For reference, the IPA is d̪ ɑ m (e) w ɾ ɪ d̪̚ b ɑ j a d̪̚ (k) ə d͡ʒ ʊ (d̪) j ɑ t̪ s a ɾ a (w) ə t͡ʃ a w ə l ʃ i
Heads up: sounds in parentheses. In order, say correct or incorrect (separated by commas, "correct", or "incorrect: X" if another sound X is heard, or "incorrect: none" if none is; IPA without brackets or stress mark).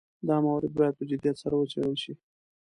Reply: incorrect: a, incorrect: p, correct, correct